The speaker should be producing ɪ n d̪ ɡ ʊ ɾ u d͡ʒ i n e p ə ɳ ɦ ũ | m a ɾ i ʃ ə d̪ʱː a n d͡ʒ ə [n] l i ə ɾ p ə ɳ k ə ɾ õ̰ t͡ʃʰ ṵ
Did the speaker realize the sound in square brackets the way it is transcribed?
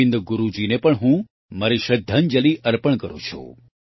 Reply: no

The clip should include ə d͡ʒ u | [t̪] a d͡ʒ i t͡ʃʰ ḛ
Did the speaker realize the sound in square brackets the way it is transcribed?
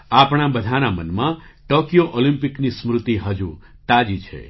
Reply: yes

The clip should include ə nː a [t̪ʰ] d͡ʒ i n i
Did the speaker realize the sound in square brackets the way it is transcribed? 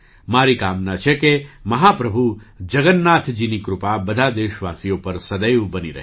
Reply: yes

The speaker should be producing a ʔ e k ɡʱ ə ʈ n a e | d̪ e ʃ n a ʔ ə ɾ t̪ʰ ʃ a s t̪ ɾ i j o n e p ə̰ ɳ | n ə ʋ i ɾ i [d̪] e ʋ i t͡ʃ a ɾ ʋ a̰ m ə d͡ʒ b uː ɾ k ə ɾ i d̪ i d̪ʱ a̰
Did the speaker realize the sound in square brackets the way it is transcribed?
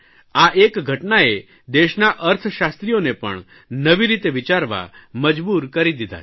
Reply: no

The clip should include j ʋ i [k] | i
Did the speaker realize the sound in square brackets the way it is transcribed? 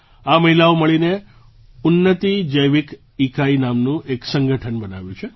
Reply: yes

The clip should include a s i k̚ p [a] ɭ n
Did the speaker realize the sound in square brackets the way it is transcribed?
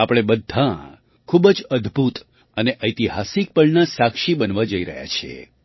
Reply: no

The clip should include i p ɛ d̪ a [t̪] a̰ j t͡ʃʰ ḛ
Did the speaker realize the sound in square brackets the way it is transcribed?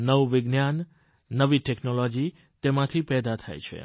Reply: no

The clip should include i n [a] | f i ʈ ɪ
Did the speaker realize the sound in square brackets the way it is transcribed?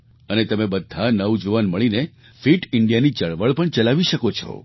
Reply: no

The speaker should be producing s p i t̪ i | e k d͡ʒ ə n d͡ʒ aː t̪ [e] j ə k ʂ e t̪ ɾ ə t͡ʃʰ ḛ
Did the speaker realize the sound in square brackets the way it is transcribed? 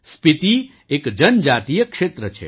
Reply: no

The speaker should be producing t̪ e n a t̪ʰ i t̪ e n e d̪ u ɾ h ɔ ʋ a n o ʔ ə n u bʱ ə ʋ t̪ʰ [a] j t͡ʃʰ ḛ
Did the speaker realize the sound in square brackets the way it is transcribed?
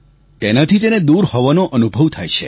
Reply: yes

